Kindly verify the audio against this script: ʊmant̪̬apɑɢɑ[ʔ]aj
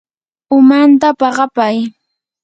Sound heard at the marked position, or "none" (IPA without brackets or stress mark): p